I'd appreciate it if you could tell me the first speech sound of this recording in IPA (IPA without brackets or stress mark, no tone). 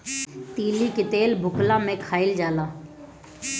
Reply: t̪